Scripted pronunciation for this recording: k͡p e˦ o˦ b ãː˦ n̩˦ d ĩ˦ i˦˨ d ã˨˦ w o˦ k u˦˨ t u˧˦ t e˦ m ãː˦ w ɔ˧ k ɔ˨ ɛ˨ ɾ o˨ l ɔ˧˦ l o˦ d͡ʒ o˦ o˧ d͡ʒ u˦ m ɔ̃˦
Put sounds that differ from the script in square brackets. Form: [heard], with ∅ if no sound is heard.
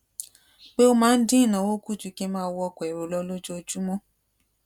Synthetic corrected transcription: k͡p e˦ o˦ [m] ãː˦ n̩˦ d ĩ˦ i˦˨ [n] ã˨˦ w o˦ k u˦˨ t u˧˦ [k] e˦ m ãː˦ w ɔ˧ k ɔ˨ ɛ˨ ɾ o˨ l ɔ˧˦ l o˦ d͡ʒ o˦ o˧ d͡ʒ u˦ m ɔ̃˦